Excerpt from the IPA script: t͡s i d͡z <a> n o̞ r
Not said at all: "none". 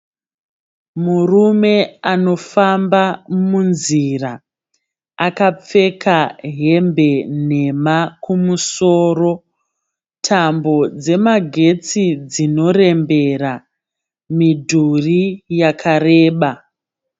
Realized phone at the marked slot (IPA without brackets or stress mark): i